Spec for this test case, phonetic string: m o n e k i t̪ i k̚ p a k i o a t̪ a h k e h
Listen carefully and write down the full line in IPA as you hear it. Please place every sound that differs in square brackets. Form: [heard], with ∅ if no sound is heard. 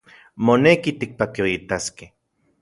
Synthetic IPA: m o n e k i t̪ i k̚ p a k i o [i] t̪ a [s] k e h